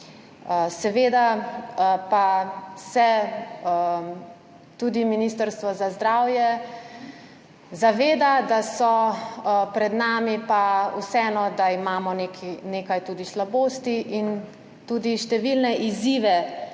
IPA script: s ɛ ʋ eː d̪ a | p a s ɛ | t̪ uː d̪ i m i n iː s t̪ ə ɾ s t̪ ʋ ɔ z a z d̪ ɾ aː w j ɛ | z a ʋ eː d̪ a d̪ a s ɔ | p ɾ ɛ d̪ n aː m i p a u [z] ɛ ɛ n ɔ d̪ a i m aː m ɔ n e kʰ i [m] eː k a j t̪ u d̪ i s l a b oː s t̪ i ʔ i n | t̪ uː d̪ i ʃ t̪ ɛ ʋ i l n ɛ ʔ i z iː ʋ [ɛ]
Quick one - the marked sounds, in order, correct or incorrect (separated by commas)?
incorrect, incorrect, correct